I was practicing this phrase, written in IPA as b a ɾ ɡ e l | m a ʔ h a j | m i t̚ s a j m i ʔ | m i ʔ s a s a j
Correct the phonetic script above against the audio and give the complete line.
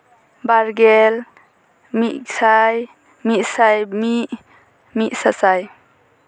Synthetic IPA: b a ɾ ɡ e l | m i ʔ s a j | m i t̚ s a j m i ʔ | m i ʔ s a s a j